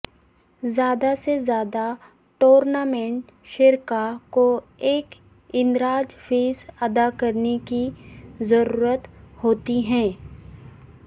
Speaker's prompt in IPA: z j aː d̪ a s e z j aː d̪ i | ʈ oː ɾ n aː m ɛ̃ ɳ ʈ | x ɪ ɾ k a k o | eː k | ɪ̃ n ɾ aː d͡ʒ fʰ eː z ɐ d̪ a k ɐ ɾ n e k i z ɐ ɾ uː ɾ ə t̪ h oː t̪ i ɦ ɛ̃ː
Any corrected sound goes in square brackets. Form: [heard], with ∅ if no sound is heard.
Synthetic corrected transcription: z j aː d̪ a s e z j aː d̪ [a] | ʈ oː ɾ n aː m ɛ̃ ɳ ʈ | [ʃ] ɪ ɾ k a k o | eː k | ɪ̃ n ɾ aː d͡ʒ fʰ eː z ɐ d̪ a k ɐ ɾ n e k i z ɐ ɾ uː ɾ ə t̪ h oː t̪ i ɦ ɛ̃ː